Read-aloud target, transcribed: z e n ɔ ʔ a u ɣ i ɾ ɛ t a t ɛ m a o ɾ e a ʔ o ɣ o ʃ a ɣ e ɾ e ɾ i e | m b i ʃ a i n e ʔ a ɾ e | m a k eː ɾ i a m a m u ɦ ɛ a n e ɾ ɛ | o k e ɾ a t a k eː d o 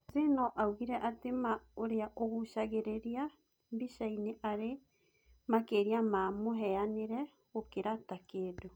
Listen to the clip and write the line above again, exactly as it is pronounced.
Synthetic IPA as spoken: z e n ɔ ʔ a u ɣ i ɾ ɛ ʔ a t e m a o ɾ e a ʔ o ɣ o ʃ a ɣ e ɾ e ɾ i a | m b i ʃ a i n e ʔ a ɾ e | m a k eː ɾ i a m a m o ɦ ɛ a n e ɾ ɛ | o k e ɾ a t a k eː d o